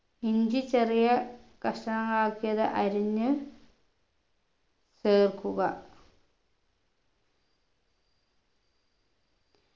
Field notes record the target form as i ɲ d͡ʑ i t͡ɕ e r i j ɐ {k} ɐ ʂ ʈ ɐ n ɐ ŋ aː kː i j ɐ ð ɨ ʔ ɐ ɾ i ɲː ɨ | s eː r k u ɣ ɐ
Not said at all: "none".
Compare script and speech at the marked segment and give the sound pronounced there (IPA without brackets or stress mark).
k